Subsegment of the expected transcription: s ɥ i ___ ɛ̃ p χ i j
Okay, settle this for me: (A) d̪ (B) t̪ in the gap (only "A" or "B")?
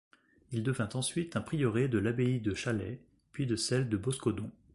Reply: B